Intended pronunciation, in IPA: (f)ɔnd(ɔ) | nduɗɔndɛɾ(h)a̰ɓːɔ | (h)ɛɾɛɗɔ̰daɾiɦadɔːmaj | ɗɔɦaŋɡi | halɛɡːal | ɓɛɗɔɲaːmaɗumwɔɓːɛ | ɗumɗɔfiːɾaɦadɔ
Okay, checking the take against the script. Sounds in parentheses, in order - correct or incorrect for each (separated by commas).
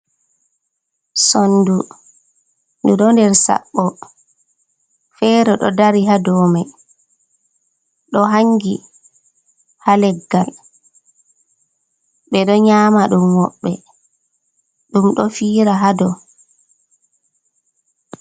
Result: incorrect, incorrect, incorrect, incorrect